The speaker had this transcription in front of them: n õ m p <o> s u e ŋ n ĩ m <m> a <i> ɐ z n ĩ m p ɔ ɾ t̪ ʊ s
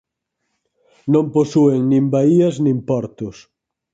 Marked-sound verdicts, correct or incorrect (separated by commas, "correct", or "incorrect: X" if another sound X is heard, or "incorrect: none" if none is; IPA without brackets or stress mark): correct, incorrect: b, correct